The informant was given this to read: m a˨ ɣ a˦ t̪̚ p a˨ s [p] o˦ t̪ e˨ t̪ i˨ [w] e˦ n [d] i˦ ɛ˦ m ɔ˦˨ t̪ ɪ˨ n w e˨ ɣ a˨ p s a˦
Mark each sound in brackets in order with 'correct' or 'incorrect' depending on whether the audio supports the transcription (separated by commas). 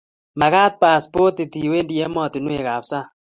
correct, correct, correct